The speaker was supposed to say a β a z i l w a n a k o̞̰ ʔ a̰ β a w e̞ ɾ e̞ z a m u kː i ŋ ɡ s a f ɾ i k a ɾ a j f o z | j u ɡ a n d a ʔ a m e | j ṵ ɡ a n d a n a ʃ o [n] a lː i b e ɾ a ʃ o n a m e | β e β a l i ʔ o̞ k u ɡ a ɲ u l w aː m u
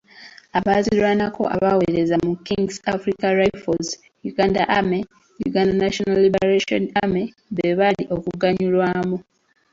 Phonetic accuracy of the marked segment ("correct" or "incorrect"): correct